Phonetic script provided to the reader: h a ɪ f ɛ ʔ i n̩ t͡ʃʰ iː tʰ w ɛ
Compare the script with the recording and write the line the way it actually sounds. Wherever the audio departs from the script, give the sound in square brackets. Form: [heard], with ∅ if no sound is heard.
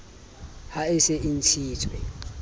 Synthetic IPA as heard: h a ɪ [s] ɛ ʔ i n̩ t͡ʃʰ iː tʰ w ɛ